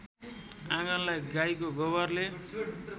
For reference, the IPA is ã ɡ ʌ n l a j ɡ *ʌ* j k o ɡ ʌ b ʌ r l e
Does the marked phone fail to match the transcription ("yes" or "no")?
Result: yes